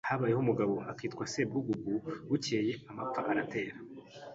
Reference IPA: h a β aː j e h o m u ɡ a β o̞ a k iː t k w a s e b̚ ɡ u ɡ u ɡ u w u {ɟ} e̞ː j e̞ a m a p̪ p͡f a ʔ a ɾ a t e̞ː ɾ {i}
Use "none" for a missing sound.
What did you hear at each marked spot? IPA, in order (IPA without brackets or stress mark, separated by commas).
c, a